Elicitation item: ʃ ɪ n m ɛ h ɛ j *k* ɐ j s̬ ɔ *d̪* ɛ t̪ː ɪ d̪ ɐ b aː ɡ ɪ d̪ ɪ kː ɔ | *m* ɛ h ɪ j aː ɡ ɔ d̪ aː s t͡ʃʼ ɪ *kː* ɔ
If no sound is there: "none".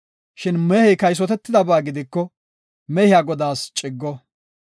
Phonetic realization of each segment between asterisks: k, t̪, m, ɡː

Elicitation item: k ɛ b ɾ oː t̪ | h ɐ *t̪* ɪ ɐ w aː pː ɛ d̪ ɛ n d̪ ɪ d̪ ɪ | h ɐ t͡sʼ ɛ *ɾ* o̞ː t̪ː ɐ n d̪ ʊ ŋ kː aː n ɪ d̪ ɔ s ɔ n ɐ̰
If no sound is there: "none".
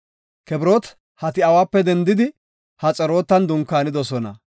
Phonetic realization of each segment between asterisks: t̪, ɾ

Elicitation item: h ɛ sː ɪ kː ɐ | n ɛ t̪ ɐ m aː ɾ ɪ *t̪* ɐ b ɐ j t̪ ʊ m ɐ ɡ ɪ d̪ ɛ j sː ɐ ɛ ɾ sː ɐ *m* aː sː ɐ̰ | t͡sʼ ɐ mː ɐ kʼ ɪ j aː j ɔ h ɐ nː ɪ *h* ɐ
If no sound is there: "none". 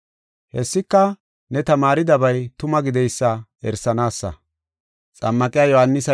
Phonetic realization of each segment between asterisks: d̪, n, s

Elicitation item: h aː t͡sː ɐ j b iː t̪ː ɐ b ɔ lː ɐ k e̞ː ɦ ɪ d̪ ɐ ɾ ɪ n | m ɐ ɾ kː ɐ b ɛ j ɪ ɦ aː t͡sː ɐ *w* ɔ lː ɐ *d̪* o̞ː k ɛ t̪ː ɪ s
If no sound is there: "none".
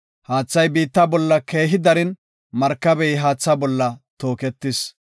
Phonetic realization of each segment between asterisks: b, t̪

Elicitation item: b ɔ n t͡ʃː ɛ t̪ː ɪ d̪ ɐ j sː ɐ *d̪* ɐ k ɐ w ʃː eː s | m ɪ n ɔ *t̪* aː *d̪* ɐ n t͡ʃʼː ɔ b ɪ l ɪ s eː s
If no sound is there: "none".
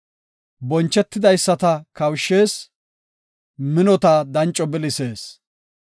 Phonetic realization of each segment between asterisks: t̪, t̪, d̪

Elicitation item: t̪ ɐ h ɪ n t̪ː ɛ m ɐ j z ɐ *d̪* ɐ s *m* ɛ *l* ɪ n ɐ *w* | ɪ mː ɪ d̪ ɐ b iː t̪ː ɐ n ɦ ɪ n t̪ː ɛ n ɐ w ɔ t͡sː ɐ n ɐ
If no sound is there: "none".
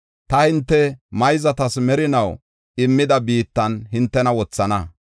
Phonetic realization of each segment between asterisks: t̪, m, ɾ, w

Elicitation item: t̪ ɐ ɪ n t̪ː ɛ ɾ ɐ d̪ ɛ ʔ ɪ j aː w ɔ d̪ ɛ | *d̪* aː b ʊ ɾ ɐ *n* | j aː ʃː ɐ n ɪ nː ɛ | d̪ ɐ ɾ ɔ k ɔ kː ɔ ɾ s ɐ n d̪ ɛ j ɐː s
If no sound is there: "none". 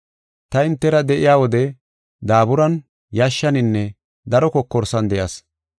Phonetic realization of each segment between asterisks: d̪, n

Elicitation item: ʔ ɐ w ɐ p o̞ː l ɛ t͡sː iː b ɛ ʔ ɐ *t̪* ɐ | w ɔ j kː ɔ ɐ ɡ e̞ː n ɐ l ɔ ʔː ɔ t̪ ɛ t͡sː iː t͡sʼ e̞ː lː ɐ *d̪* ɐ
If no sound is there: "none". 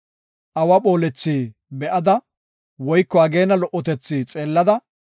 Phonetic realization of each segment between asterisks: d̪, d̪

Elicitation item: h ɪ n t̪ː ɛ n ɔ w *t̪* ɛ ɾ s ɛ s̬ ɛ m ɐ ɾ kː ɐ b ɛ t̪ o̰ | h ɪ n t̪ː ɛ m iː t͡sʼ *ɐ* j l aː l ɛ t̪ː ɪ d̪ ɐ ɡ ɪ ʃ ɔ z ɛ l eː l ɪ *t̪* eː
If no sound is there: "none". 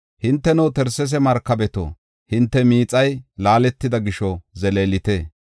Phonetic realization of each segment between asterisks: t̪, ɐ, t̪

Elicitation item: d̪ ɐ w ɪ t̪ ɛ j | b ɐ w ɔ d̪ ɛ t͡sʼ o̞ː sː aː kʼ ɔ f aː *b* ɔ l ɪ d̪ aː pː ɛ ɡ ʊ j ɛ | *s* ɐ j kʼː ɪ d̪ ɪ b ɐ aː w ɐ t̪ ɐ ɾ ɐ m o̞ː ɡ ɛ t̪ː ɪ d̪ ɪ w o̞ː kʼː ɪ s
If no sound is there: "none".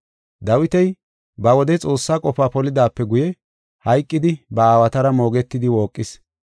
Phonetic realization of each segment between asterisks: p, h

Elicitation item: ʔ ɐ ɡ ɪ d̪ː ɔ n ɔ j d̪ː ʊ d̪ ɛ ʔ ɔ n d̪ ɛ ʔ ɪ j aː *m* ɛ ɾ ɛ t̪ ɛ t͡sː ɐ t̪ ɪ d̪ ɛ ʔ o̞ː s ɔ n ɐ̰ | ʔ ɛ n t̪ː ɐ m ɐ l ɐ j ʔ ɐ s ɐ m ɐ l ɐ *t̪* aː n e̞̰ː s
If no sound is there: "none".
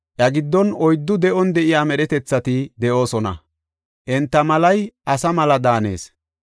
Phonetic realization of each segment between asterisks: m, d̪

